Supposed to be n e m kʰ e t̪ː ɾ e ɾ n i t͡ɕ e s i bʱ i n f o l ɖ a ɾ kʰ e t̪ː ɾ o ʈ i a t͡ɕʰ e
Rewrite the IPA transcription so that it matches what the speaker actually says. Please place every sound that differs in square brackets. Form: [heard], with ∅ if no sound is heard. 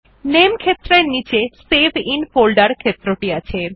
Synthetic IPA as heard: n e m kʰ e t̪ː ɾ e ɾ n i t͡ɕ e s [e] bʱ i n f o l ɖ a ɾ kʰ e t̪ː ɾ o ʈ i a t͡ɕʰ e